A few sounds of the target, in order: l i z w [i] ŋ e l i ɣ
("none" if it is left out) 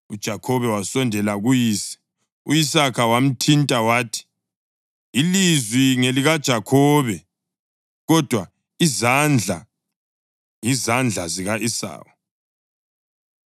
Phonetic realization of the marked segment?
i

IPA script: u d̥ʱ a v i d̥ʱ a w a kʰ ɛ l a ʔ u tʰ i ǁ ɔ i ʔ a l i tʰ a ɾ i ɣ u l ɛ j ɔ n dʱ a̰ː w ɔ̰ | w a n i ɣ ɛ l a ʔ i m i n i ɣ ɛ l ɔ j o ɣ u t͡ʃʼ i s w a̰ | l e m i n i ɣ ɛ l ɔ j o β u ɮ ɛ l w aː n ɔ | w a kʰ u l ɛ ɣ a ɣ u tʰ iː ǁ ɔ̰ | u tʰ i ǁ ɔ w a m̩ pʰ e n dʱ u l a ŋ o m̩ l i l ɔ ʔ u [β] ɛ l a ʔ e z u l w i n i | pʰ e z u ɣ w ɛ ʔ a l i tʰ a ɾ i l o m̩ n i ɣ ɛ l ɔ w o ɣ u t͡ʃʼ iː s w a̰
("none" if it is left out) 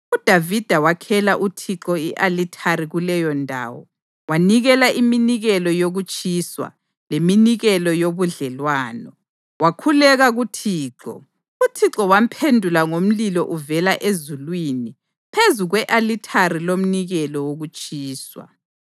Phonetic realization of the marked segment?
v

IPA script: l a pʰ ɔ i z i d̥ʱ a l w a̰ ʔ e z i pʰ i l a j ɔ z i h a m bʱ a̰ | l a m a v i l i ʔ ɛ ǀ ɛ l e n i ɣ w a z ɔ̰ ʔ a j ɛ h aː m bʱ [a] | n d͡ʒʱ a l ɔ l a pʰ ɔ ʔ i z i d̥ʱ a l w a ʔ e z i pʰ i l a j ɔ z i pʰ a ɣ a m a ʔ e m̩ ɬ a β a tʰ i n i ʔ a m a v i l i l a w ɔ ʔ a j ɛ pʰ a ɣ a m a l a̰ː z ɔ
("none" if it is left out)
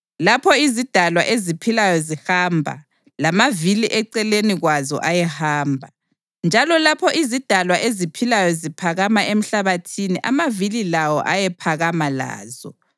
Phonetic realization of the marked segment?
a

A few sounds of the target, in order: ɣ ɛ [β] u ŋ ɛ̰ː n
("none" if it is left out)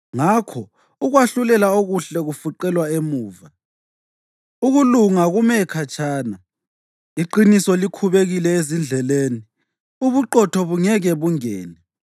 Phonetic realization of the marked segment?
β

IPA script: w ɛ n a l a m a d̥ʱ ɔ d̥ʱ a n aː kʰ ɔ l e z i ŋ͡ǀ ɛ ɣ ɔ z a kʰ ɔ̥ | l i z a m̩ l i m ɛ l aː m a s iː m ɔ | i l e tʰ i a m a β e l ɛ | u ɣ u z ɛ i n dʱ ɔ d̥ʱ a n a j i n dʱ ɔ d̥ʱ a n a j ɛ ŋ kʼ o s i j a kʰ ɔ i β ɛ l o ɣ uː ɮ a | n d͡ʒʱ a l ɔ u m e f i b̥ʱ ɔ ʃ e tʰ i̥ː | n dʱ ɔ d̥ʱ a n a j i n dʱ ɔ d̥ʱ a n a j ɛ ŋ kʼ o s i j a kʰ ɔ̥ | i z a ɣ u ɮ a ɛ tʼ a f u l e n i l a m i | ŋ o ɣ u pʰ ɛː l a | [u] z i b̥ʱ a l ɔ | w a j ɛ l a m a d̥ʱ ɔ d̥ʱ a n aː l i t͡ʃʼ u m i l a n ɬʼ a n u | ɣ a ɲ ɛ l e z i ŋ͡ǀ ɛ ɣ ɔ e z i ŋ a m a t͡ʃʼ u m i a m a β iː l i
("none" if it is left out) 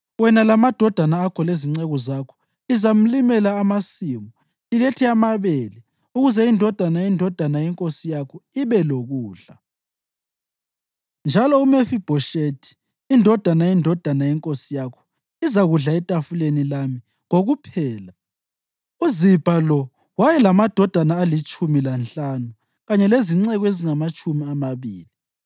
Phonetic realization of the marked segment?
u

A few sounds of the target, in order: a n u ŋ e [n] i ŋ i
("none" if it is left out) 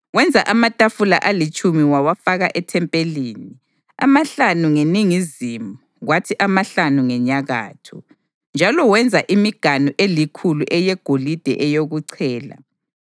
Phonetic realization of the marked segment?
n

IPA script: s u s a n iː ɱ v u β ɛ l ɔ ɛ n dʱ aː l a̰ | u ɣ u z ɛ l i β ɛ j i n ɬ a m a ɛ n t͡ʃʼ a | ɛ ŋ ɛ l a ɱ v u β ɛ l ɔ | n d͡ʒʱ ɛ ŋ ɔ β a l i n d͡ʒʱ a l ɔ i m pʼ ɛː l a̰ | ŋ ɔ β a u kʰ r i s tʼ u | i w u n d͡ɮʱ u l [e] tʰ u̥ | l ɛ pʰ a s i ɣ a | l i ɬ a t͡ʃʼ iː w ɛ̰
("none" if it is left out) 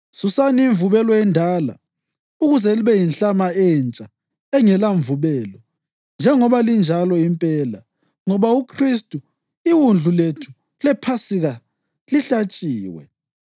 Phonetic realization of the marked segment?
e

